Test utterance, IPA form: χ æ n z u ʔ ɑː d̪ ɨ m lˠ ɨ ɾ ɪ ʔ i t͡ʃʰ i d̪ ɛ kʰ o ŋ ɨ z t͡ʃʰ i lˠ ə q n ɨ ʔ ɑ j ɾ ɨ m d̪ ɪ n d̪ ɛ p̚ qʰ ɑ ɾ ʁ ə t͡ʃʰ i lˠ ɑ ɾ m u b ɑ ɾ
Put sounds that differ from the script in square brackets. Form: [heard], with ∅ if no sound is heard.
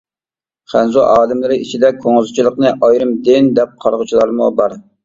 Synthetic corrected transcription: χ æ n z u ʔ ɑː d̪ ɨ m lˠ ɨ ɾ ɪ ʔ i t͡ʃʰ i d̪ ɛ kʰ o ŋ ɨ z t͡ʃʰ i lˠ ə q n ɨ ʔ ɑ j ɾ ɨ m d̪ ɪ n d̪ ɛ p̚ qʰ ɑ ɾ ʁ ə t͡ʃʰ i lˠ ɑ ɾ m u b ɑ ɾ